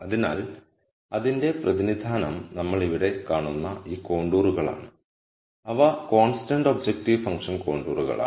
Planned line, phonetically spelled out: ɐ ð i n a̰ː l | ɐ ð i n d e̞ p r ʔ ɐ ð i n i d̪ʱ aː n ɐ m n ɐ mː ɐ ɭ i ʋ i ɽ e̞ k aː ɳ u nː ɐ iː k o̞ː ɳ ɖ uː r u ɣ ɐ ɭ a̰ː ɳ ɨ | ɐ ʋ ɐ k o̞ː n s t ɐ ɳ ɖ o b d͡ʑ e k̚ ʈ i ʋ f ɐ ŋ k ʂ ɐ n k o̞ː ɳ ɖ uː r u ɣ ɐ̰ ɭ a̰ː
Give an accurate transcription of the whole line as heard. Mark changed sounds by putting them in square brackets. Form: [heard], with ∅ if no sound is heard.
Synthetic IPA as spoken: ɐ ð i n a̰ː l | ɐ ð i n d e̞ p r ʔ ɐ ð i n i d̪ʱ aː n ɐ m n ɐ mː ɐ ɭ i ʋ i ɽ e̞ k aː ɳ u nː ɐ iː k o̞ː ɳ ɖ uː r u ɣ ɐ ɭ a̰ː ɳ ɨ | ɐ ʋ ɐ k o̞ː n s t ɐ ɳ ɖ o b d͡ʑ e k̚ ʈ i ʋ f ɐ ŋ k ʂ ɐ n k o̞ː ɳ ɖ uː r u ɣ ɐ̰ ɭ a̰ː

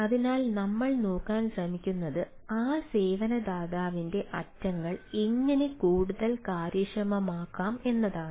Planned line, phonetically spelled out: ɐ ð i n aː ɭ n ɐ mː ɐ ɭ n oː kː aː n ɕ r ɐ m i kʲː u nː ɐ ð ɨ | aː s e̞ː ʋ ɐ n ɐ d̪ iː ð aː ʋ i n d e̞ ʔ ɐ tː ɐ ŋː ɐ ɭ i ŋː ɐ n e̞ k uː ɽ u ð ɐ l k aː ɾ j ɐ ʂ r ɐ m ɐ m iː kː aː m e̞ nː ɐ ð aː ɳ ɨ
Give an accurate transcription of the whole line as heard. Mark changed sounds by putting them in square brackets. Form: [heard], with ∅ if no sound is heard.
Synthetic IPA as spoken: ɐ ð i n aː [l] n ɐ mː ɐ ɭ n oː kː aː n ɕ r ɐ m i kʲː u nː ɐ ð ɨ | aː s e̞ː ʋ ɐ n ɐ d̪ [aː] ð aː ʋ i n d e̞ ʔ ɐ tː ɐ ŋː ɐ ɭ i ŋː ɐ n e̞ k uː ɽ u ð ɐ l k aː ɾ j ɐ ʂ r ɐ m ɐ m [aː] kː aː m e̞ nː ɐ ð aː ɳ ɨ

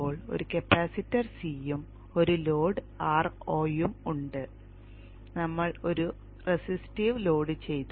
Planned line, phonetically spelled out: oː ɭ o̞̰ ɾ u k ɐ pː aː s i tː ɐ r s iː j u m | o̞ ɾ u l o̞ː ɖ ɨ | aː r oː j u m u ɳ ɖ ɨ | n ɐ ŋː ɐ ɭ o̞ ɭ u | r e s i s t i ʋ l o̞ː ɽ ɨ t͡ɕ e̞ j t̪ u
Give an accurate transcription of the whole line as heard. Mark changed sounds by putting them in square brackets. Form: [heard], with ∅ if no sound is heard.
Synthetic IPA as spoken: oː ɭ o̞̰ ɾ u k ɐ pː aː s i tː ɐ r s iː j u m | o̞ ɾ u l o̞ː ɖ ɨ | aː r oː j u m u ɳ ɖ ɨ | n ɐ [mː] ɐ ɭ o̞ [ɾ] u | r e s i s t i ʋ l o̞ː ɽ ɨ t͡ɕ e̞ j t̪ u

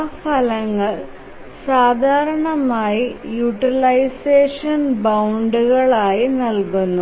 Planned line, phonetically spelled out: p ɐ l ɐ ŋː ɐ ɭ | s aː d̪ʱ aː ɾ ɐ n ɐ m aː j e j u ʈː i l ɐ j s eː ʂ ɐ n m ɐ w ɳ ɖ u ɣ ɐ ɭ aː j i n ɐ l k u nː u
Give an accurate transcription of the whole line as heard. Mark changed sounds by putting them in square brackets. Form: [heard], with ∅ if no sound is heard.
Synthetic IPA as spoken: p ɐ l ɐ ŋː ɐ ɭ | s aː d̪ʱ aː ɾ ɐ [ɳ] ɐ m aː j [i] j u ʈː i l ɐ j s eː ʂ ɐ n [b] ɐ w ɳ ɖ u ɣ ɐ ɭ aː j i n ɐ l k u nː u

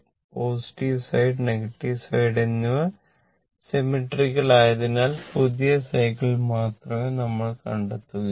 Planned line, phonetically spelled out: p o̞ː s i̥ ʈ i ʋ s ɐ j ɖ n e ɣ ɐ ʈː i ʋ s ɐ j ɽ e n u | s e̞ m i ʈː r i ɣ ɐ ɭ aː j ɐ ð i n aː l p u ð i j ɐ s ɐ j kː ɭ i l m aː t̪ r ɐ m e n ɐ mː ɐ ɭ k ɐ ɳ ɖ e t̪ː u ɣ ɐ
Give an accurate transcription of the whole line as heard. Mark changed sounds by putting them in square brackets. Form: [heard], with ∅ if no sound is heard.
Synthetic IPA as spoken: p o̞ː s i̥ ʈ i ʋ s ɐ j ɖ n e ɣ ɐ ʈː i ʋ s ɐ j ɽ e [nː] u | s e̞ m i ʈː r i ɣ ɐ ɭ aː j ɐ ð i n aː l p u ð i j ɐ s ɐ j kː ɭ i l m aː t̪ r ɐ m e n ɐ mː ɐ ɭ k ɐ ɳ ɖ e t̪ː u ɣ ɐ

